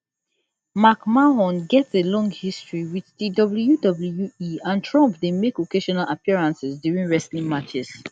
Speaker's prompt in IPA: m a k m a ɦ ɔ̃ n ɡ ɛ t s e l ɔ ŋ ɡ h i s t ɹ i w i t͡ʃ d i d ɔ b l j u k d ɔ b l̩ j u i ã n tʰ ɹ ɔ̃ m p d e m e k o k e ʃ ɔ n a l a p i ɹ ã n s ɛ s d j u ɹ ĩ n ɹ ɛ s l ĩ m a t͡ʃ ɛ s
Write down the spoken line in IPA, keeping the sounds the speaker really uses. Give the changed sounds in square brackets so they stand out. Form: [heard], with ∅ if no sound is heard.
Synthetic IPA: m a k m a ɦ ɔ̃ n ɡ ɛ t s e l [ɔ̃] ŋ ɡ h i s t ɹ i w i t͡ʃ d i d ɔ b l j u [∅] d ɔ b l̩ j u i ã n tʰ ɹ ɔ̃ m p d e m e k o k e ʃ ɔ n a l a p i ɹ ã n s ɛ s d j u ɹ ĩ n ɹ ɛ s l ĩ m a t͡ʃ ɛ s